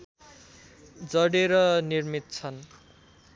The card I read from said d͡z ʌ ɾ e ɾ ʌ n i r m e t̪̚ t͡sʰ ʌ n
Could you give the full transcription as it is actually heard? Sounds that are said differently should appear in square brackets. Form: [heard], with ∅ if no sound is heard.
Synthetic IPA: d͡z ʌ [ɽ] e ɾ ʌ n i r m [i] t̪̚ t͡sʰ ʌ n